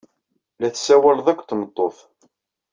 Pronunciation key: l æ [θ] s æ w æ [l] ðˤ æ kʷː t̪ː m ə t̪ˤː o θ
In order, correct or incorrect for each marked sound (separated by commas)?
correct, correct